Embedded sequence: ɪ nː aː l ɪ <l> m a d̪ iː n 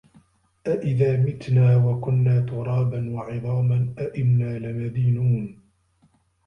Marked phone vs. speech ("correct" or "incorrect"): incorrect